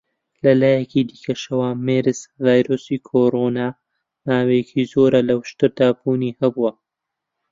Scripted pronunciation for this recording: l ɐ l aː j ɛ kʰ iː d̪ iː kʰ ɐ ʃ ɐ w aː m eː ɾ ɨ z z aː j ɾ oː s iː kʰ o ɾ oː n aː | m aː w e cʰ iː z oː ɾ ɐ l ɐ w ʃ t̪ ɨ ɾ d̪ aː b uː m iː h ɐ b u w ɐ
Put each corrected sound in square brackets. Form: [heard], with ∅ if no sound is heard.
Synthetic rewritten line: l ɐ l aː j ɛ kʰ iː d̪ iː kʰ ɐ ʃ ɐ w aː m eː ɾ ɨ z [v] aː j ɾ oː s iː kʰ o ɾ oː n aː | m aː w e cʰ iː z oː ɾ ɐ l ɐ w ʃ t̪ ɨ ɾ d̪ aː b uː [n] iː h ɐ b u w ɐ